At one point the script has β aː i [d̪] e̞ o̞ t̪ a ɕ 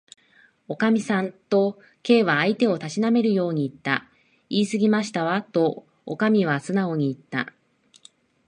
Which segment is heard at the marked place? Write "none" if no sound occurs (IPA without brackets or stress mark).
t̪